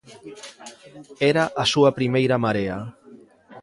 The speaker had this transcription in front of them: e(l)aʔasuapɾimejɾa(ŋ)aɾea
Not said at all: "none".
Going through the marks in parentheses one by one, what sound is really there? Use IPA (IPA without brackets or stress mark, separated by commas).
ɾ, m